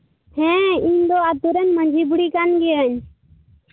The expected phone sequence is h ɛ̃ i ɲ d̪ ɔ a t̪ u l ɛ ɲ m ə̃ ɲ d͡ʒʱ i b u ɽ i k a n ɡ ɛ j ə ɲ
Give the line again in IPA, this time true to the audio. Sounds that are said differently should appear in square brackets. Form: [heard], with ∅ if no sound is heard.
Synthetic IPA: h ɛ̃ i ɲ d̪ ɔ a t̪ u [ɾ] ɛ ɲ m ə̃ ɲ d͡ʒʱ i b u ɽ i k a n ɡ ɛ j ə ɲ